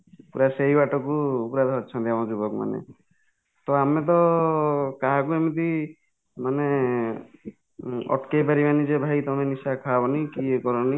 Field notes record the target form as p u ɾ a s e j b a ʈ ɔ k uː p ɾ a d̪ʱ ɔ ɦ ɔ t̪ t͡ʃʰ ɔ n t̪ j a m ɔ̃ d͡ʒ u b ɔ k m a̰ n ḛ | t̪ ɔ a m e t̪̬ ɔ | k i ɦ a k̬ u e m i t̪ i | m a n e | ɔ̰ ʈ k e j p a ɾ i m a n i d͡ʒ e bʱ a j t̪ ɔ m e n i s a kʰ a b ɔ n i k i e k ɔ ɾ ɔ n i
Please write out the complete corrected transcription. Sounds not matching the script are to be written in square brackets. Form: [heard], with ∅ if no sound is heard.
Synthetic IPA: p u ɾ a s e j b a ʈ ɔ k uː p ɾ a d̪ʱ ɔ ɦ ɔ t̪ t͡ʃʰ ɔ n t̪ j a m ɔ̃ d͡ʒ u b ɔ k m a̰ n ḛ | t̪ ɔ a m e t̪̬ ɔ | k [a] ɦ a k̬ u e m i t̪ i | m a n e | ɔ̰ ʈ k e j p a ɾ i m a n i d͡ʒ e bʱ a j t̪ ɔ m e n i s a kʰ a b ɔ n i k i e k ɔ ɾ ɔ n i